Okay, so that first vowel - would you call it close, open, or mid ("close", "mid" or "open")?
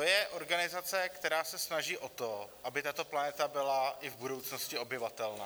mid